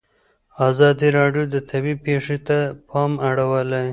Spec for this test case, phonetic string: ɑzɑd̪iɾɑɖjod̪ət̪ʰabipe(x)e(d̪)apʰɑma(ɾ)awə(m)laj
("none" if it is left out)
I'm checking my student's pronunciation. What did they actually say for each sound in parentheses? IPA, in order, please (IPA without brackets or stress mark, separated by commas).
ʂ, t̪, ɽ, none